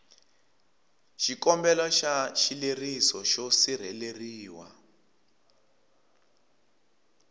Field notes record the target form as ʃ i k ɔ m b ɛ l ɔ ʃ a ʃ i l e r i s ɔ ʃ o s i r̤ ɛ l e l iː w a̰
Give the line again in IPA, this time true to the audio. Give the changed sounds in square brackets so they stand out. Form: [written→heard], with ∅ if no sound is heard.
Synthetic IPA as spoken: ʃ i k ɔ m b ɛ l ɔ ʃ a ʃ i l e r i s ɔ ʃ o s i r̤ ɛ l e [l→r] iː w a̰